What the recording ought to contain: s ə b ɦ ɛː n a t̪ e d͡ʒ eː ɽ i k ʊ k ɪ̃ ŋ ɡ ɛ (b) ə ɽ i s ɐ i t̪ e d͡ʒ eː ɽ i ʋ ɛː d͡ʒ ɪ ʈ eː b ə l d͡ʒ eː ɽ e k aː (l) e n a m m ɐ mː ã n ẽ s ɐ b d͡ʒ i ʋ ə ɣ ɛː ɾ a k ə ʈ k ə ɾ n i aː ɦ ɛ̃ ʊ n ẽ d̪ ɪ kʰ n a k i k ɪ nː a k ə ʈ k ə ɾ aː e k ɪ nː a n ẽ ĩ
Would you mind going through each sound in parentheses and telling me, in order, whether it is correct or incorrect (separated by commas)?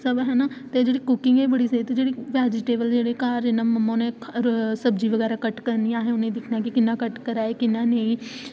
correct, incorrect